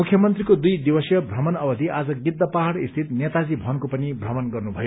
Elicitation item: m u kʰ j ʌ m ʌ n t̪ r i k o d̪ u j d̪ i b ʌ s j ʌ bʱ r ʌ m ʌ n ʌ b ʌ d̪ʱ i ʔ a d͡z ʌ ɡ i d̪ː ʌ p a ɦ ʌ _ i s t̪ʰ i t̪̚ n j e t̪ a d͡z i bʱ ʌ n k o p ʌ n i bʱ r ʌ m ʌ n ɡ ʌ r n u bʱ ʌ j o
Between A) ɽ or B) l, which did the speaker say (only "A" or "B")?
A